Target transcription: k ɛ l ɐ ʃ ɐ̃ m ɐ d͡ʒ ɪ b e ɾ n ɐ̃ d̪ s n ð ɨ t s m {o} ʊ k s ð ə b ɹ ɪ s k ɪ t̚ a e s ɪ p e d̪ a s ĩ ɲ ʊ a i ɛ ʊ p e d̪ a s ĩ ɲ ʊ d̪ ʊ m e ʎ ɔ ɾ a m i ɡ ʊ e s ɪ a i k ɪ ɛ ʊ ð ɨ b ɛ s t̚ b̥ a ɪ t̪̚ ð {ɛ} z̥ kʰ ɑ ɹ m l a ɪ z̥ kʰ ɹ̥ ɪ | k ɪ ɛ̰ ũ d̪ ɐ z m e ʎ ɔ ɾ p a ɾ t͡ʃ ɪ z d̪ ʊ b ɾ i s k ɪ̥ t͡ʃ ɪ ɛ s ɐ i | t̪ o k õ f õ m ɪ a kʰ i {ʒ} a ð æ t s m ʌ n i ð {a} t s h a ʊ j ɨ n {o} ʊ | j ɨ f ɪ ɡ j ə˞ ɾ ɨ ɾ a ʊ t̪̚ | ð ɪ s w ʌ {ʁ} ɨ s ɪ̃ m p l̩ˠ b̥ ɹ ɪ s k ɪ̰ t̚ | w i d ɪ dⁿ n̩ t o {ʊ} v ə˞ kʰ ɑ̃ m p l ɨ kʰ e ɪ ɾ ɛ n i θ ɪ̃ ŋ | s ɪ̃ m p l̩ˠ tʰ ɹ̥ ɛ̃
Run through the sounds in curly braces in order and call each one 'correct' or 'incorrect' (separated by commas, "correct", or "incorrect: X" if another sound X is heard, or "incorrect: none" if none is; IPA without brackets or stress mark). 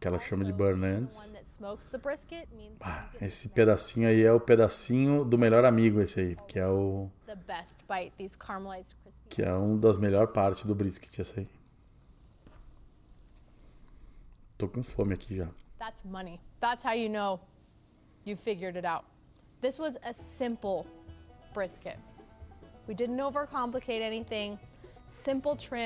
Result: correct, incorrect: i, correct, incorrect: æ, correct, incorrect: z, correct